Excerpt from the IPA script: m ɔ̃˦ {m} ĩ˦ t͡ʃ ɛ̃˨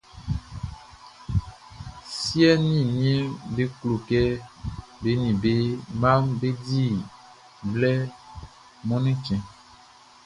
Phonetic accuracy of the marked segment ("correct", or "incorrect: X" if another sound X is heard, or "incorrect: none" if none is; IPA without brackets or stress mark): incorrect: n